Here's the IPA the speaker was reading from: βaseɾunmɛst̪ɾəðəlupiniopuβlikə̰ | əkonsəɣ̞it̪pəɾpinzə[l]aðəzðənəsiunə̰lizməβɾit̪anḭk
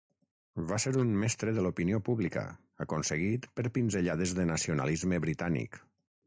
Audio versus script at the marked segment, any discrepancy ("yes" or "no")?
yes